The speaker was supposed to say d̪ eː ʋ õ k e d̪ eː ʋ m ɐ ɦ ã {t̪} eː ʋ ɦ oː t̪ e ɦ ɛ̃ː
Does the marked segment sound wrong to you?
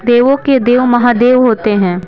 yes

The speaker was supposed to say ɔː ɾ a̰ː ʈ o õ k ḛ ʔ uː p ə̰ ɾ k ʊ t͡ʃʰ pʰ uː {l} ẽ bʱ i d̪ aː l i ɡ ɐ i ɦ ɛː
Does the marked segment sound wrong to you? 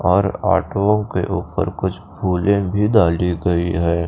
no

